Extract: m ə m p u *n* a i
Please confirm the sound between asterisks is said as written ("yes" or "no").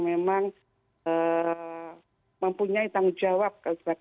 no